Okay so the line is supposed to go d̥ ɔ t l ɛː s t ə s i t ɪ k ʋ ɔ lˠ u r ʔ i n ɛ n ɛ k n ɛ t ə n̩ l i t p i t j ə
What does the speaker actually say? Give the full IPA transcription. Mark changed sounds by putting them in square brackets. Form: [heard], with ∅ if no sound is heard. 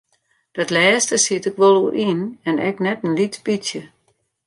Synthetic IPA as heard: d̥ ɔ t l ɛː s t ə s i t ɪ k ʋ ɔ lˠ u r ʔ i n ɛ n ɛ k n ɛ t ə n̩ l i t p i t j ə